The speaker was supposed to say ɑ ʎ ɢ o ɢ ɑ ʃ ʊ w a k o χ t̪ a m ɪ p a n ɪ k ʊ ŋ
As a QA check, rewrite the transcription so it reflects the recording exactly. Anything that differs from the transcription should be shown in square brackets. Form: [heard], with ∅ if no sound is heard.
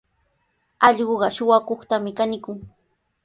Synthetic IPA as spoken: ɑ ʎ ɢ o ɢ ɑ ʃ ʊ w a k o χ t̪ a m ɪ [k] a n ɪ k ʊ ŋ